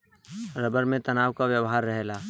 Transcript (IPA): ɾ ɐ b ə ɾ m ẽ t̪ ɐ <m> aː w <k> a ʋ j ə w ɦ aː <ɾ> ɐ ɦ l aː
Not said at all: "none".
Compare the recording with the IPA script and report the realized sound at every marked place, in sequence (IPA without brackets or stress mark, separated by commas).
n, k, ɾː